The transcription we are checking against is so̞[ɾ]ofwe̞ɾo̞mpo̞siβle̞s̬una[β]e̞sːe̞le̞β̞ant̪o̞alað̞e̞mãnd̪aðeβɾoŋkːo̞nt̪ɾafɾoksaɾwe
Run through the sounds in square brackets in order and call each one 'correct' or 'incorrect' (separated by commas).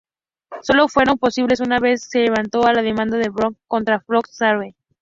incorrect, correct